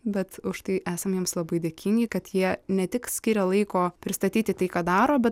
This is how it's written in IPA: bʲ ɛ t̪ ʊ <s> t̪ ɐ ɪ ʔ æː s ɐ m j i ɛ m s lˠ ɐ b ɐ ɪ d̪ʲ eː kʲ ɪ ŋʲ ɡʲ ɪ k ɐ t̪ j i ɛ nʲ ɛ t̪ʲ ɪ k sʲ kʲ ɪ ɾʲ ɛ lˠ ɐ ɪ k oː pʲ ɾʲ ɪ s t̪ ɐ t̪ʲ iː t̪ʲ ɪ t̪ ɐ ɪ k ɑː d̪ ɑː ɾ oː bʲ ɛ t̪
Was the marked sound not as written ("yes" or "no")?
yes